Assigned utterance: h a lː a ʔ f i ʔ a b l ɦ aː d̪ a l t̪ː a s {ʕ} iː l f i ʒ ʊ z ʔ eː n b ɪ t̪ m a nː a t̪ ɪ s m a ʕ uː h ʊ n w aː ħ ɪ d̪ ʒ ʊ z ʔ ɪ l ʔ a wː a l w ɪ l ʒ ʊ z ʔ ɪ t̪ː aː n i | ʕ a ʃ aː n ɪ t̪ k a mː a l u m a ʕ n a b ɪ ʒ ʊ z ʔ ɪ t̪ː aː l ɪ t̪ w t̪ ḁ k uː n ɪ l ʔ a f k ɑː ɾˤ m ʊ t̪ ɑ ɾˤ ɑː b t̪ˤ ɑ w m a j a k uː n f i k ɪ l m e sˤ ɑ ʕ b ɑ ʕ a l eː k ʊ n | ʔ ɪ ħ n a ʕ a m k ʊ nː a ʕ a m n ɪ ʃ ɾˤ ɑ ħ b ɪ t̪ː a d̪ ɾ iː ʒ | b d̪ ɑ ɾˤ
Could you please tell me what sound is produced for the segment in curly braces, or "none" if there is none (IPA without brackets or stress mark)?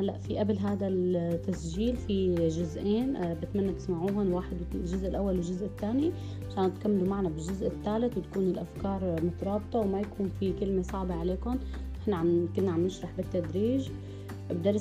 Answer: ʒ